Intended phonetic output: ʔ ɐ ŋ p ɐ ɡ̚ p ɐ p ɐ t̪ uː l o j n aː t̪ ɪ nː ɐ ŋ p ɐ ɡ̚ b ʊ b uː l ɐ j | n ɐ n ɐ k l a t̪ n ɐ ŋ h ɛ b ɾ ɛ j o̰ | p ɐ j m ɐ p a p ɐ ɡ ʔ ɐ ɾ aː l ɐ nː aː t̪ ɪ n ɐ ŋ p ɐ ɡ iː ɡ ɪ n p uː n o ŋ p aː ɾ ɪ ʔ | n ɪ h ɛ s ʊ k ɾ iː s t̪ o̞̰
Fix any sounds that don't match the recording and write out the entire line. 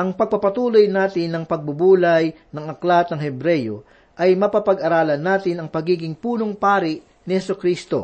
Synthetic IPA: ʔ ɐ ŋ p ɐ ɡ̚ p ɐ p ɐ t̪ uː l o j n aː t̪ ɪ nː ɐ ŋ p ɐ ɡ̚ b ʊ b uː l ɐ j | n ɐ ŋ ɐ k l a t̪ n ɐ ŋ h ɛ b ɾ ɛ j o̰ | ʔ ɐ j m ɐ p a p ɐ ɡ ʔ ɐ ɾ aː l ɐ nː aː t̪ ɪ n ɐ ŋ p ɐ ɡ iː ɡ ɪ ŋ p uː n o ŋ p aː ɾ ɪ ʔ | n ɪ h ɛ s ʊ k ɾ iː s t̪ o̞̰